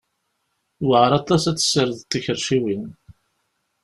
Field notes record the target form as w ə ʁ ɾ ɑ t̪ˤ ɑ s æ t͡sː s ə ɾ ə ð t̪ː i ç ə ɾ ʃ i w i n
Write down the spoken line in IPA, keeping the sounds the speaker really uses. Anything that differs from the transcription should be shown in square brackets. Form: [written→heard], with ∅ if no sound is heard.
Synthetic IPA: w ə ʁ ɾ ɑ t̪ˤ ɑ s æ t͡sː s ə ɾ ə ð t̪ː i ç ə ɾ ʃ i w i n